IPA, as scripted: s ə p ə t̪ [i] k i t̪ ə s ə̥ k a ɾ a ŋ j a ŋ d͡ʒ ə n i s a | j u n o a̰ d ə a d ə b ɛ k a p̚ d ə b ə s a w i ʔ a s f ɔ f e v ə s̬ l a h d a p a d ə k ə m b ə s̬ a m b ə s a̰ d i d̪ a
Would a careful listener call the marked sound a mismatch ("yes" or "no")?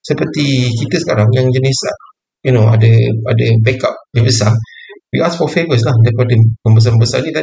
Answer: no